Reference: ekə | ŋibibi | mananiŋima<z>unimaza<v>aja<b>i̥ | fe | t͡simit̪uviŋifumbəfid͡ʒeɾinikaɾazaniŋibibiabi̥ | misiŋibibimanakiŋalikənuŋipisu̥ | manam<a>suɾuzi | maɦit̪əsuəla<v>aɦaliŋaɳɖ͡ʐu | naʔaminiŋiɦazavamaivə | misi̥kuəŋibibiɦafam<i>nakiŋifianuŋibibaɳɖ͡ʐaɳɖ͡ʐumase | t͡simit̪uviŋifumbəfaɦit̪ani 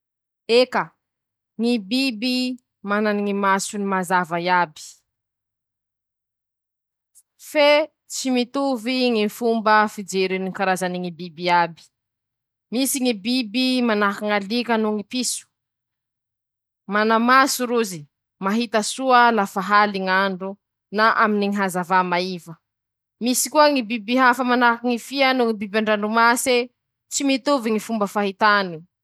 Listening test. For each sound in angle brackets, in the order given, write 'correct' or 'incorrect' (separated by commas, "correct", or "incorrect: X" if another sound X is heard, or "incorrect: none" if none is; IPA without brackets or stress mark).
incorrect: s, correct, correct, correct, incorrect: f, incorrect: a